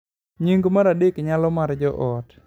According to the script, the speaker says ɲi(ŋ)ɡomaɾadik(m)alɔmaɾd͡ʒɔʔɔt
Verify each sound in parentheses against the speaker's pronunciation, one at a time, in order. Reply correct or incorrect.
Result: correct, incorrect

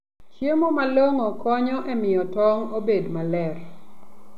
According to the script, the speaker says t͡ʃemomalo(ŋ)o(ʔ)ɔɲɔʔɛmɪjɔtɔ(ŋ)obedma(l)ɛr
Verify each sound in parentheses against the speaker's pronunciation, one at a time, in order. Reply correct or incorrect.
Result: correct, incorrect, correct, correct

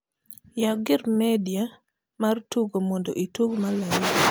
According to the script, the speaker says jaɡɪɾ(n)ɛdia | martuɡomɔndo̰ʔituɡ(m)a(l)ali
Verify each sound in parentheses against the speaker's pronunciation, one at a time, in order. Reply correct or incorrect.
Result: incorrect, correct, correct

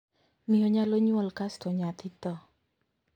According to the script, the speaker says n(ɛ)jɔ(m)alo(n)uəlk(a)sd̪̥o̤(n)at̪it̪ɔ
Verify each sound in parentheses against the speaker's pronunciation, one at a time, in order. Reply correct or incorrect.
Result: incorrect, incorrect, incorrect, correct, incorrect

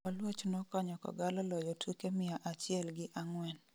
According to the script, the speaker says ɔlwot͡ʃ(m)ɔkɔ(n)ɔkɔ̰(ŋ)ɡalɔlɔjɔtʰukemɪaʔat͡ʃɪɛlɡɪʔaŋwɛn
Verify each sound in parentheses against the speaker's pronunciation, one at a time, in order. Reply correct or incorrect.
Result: incorrect, incorrect, incorrect

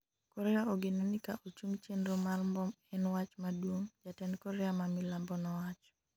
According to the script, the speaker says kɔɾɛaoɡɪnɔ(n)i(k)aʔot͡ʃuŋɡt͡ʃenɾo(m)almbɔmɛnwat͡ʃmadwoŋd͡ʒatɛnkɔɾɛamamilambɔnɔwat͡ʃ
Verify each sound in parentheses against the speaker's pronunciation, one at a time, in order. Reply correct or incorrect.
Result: correct, correct, correct

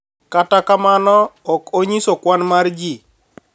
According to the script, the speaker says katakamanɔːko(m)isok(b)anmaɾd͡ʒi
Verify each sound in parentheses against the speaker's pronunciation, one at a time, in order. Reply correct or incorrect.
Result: incorrect, incorrect

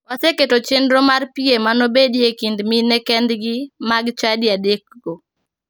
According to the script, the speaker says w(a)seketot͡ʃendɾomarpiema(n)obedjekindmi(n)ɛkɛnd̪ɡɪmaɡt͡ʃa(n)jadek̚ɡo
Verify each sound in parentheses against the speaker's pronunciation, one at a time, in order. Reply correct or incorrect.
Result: correct, correct, correct, incorrect

